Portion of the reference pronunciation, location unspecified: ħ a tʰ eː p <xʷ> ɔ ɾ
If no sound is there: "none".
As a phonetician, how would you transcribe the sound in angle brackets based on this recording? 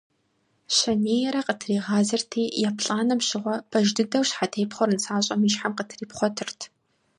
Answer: χʷ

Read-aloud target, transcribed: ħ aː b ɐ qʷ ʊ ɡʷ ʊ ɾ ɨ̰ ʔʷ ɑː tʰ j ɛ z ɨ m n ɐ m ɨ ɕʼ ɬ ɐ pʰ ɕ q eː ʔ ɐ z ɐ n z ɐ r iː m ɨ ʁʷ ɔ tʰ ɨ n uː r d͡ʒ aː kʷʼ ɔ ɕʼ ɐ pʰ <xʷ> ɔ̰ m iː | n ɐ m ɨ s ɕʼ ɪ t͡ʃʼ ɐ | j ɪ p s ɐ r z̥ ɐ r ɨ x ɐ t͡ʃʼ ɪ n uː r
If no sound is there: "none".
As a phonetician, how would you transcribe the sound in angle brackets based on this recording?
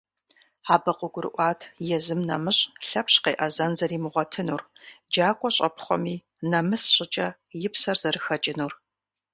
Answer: χʷ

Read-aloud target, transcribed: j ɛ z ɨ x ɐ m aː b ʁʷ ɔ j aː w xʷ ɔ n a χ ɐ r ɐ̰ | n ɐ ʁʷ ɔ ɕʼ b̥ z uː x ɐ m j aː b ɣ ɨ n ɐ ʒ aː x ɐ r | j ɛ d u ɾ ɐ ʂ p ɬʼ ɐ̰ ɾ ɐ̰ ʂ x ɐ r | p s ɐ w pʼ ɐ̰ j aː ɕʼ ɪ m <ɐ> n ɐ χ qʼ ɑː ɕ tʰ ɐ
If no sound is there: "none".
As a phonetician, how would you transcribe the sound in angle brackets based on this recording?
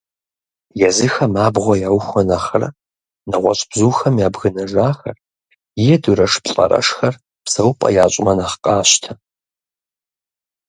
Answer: ɐ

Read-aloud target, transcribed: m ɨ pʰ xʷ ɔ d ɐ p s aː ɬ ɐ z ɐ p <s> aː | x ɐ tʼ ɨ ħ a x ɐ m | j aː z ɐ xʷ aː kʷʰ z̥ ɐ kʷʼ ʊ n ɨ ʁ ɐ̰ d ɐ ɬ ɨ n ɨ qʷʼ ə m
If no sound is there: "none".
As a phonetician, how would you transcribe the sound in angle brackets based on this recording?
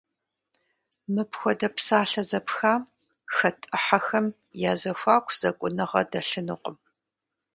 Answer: x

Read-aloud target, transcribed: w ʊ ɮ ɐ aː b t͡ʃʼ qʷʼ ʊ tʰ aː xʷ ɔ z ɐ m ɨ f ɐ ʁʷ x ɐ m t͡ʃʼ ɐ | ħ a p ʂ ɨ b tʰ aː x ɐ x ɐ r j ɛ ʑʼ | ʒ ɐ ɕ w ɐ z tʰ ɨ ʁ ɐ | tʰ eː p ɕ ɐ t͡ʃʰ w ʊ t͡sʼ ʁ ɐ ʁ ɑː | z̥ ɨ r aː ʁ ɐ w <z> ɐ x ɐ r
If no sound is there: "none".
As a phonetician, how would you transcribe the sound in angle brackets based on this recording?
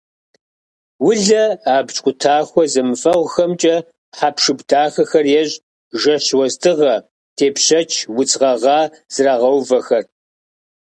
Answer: v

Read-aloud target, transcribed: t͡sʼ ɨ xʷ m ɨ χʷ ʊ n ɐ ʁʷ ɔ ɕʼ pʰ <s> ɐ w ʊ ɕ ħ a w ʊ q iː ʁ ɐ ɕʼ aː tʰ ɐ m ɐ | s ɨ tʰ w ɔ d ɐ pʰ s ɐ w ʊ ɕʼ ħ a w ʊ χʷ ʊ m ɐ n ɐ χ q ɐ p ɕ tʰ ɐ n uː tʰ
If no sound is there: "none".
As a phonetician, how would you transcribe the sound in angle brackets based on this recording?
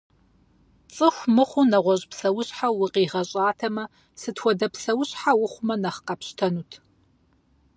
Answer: s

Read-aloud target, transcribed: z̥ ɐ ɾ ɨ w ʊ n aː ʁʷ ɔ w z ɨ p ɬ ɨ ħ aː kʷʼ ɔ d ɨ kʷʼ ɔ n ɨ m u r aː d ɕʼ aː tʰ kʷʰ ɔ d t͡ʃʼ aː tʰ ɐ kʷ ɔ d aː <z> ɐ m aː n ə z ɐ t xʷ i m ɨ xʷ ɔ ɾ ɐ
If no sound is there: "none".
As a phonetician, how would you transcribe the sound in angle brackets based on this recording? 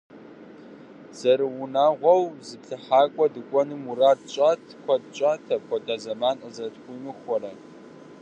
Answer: z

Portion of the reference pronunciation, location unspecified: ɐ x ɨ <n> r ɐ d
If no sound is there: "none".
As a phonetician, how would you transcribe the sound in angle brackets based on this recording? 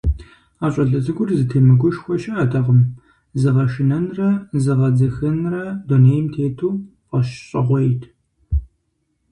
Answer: n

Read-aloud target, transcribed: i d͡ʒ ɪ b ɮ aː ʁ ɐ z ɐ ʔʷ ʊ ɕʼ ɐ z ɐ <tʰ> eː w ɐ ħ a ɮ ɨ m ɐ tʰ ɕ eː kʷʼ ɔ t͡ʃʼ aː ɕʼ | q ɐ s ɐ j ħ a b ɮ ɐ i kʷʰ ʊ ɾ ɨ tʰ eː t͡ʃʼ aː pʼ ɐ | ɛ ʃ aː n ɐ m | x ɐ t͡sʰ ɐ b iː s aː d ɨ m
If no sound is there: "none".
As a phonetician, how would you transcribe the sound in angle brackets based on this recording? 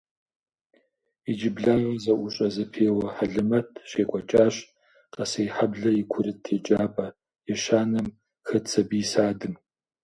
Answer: pʰ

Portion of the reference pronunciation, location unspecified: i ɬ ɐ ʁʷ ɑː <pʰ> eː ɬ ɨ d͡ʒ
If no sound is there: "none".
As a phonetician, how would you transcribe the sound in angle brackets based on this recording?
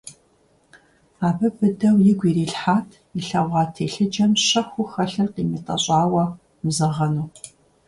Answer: tʰ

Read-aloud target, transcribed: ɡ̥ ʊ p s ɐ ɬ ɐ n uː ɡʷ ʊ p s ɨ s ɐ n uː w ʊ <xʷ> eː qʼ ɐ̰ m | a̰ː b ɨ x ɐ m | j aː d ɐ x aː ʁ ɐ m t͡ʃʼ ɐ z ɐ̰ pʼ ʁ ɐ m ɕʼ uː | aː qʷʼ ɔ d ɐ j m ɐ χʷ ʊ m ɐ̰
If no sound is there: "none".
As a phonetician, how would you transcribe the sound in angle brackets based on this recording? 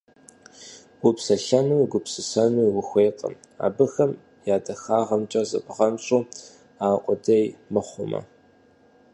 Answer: xʷ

